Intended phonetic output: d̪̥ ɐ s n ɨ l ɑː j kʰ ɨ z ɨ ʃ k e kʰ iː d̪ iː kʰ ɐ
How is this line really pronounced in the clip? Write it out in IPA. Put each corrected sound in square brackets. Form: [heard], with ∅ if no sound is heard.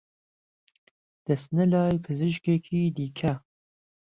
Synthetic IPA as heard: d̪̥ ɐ s n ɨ l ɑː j [pʰ] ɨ z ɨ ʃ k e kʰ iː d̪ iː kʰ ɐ